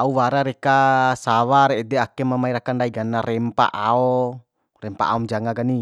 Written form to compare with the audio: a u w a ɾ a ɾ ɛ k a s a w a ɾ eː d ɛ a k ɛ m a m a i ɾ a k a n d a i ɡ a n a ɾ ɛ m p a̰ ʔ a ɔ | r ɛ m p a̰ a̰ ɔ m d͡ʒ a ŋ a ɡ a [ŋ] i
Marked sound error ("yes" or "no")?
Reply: yes